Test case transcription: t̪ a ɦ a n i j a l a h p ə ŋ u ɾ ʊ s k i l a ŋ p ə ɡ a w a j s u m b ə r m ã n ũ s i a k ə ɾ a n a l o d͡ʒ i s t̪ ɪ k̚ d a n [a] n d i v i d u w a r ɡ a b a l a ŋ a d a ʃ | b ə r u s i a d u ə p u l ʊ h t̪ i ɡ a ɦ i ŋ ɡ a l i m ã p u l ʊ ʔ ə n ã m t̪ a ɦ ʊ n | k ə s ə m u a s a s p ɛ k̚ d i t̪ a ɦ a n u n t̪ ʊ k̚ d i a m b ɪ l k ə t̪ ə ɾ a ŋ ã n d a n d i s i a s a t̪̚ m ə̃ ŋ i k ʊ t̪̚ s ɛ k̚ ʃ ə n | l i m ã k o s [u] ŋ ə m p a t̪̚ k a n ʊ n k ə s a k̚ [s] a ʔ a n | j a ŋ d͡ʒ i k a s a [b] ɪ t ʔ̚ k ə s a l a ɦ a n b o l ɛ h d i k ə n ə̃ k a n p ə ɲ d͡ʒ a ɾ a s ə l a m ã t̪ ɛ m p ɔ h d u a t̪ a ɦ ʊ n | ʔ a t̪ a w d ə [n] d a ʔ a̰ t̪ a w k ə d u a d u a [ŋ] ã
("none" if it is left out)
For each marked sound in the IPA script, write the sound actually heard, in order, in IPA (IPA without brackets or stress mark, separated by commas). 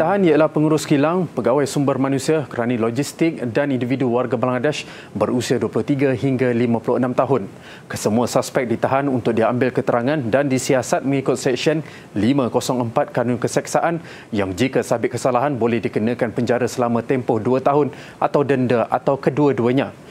i, ɔ, s, b, n, ɲ